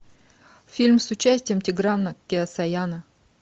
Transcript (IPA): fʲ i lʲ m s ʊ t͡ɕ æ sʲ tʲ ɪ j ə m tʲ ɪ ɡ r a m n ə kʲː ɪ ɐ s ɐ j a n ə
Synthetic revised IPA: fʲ i lʲ m s ʊ t͡ɕ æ sʲ tʲ ɪ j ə m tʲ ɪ ɡ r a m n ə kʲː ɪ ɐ s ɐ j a n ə